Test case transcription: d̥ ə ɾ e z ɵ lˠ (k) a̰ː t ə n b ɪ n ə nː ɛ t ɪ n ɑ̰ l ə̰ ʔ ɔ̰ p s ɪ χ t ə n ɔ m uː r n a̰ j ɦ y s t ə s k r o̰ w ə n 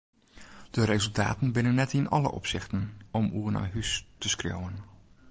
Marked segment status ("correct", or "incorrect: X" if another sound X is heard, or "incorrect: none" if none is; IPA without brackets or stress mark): incorrect: t